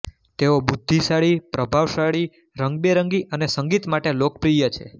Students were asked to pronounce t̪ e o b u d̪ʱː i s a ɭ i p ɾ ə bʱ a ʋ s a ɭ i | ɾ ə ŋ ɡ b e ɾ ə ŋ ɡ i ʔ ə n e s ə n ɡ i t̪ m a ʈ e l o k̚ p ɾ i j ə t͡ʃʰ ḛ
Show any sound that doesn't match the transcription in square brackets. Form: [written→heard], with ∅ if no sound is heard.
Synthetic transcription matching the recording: t̪ e o b u d̪ʱː i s a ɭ i p ɾ ə bʱ a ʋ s a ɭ i | ɾ ə ŋ ɡ b e ɾ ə ŋ ɡ i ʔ ə n e s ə [n→ŋ] ɡ i t̪ m a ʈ e l o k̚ p ɾ i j ə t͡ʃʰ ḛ